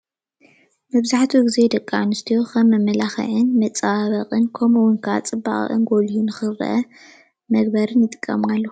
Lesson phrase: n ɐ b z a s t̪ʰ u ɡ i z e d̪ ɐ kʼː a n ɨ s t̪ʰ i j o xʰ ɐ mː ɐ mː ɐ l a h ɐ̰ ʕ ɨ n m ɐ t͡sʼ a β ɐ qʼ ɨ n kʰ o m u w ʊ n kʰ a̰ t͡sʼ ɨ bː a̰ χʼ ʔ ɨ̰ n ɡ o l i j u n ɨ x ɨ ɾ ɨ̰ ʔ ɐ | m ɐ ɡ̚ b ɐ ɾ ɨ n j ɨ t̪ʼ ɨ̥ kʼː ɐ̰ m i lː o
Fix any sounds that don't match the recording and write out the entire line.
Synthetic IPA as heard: m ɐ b z a ħ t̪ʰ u ɡ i z e d̪ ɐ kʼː a n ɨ s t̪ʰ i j o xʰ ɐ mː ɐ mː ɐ l a x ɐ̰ ʕ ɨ n m ɐ t͡sʼ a β ɐ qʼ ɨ n kʰ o m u w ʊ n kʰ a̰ t͡sʼ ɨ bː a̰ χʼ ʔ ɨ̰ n ɡ o l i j u n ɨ x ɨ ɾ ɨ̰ ʔ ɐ | m ɐ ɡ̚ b ɐ ɾ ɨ n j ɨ t̪ʼ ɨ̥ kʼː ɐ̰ m a lː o

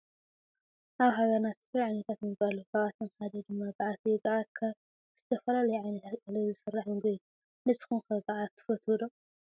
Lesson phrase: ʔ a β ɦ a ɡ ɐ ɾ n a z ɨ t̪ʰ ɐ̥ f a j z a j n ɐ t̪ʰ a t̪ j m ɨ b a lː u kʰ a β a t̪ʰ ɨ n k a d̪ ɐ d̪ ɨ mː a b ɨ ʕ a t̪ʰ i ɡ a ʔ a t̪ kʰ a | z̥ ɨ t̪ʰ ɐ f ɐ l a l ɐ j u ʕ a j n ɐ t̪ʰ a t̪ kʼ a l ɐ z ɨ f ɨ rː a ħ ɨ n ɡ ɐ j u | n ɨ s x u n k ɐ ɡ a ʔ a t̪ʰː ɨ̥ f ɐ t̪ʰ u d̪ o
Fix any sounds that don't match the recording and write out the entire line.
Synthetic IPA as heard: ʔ a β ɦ a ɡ ɐ ɾ n a z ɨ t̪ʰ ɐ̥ f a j ʕ a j n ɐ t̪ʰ a t̪ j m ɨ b a l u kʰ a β a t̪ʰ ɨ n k a d̪ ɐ d̪ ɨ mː a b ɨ ʕ a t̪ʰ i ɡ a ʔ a t̪ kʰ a | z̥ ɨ t̪ʰ ɐ f ɐ l a l ɐ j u ʕ a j n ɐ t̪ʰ a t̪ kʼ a l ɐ z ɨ s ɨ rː a ħ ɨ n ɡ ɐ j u | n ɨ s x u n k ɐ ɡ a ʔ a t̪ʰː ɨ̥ f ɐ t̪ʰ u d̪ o

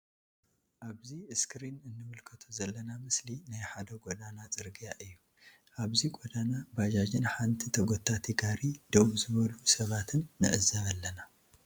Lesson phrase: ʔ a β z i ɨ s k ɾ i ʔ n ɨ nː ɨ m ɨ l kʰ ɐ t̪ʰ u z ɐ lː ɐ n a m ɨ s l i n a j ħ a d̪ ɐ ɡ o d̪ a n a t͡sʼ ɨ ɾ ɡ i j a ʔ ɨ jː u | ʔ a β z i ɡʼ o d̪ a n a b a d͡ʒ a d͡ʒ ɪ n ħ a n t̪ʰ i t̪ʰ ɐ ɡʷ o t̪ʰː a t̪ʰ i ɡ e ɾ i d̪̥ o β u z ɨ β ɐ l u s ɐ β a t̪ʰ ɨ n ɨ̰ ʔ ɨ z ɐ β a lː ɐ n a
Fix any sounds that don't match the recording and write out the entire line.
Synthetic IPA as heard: ʔ a β z i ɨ s k ɾ i n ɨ nː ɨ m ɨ l kʰ ɐ t̪ʰ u z ɐ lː ɐ n a m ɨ s l i n a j ħ a d̪ ɐ ɡ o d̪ a n a t͡sʼ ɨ ɾ ɡ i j a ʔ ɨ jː u | ʔ a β z i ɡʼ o d̪ a n a b a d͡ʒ a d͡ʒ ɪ n ħ a n t̪ʰ i t̪ʰ ɐ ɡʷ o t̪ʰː a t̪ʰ i ɡ a ɾ i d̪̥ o β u z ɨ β ɐ l u s ɐ β a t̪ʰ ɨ nː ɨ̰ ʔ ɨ z ɐ β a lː ɐ n a

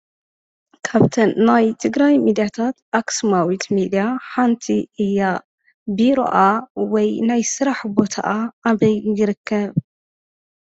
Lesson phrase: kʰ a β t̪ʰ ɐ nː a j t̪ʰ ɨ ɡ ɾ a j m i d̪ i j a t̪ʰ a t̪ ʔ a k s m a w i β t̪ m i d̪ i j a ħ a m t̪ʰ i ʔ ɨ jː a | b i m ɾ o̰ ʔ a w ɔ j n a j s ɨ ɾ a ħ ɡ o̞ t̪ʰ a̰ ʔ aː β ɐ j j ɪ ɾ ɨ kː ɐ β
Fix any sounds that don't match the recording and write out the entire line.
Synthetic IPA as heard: kʰ a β t̪ʰ ɐ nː a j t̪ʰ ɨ ɡ ɾ a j m i d̪ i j a t̪ʰ a t̪ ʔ a k s m a w i t̪ m i d̪ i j a ħ a n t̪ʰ i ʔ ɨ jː a | b i ɾ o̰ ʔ a w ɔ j n a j s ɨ ɾ a ħ b o̞ t̪ʰ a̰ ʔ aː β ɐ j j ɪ ɾ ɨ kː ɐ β

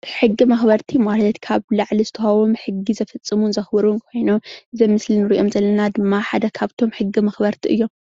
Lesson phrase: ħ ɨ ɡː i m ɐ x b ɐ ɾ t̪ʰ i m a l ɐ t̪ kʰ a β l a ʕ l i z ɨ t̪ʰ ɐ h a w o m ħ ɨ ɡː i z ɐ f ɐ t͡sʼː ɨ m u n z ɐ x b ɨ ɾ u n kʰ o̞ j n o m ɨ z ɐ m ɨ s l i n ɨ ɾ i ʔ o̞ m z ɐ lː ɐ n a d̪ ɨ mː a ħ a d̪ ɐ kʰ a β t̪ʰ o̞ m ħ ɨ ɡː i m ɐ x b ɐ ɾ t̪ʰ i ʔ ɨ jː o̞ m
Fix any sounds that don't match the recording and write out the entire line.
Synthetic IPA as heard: ħ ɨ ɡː i m ɐ x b ɐ ɾ t̪ʰ i m a l ɐ t̪ kʰ a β l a ʕ l i z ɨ t̪ʰ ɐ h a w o m ħ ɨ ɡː i z ɐ f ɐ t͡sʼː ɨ m u n z ɐ x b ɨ ɾ u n kʰ o̞ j n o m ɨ z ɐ m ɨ s l i n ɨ ɾ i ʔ o̞ m z ɐ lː ɐ n a d̪ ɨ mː a ħ a d̪ ɐ kʰ a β t̪ʰ o̞ m ħ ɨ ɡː i m ɐ x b ɐ ɾ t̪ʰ i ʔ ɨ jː o̞ m

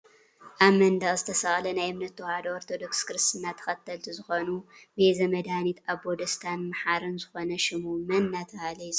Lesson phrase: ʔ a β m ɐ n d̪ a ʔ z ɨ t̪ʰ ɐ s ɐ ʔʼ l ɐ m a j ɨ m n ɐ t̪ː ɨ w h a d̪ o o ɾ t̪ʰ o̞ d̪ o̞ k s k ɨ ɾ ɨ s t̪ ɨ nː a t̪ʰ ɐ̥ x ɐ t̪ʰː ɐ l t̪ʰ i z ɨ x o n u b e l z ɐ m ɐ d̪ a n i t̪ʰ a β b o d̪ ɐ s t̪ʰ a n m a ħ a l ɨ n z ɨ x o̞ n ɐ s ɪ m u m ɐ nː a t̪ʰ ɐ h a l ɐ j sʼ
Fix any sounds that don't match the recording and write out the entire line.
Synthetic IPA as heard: ʔ a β m ɐ n d̪ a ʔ z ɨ t̪ʰ ɐ s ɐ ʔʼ l ɐ n a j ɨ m n ɐ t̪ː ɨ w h a d̪ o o ɾ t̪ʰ o̞ d̪ o̞ k s k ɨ ɾ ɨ s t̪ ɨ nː a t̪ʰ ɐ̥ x ɐ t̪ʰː ɐ l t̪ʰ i z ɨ x o n u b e z ɐ m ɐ d̪ a n i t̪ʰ a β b o d̪ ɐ s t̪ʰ a n m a ħ a ɾ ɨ n z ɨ x o̞ n ɐ ʃ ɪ m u m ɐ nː a t̪ʰ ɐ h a l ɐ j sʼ

